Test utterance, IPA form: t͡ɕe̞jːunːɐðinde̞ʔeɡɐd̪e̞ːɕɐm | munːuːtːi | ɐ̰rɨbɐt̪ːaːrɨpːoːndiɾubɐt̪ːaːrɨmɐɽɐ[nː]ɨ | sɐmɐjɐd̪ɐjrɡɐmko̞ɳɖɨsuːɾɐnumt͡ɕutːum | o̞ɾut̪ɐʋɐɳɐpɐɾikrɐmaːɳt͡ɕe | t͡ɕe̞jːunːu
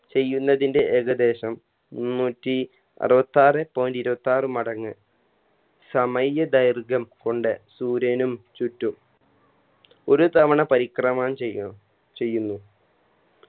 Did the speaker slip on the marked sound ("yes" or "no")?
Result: yes